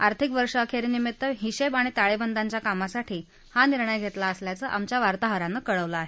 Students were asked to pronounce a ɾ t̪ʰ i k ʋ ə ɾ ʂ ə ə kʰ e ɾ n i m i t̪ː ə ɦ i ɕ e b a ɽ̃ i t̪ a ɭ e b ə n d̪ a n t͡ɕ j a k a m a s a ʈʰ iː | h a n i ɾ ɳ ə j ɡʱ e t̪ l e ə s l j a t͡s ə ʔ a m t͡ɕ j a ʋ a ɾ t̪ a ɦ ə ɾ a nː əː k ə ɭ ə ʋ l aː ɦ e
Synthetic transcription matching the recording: a ɾ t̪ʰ i k ʋ ə ɾ ʂ ə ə kʰ e ɾ n i m i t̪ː ə ɦ i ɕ e b a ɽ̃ i t̪ a ɭ e b ə n d̪ a ɲ t͡ɕ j a k a m a s a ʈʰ iː | h a n i ɾ ɳ ə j ɡʱ e t̪ l a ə s l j a t͡s ə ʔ a m t͡ɕ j a ʋ a ɾ t̪ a ɦ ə ɾ a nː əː k ə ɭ ə ʋ l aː ɦ e